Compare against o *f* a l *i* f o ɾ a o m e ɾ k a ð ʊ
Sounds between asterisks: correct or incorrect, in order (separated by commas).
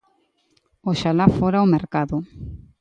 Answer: incorrect, incorrect